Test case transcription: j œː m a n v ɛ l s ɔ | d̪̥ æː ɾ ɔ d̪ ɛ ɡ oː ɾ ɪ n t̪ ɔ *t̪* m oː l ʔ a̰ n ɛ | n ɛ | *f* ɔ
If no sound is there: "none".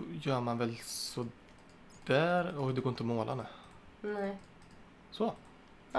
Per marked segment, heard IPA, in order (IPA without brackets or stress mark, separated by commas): none, s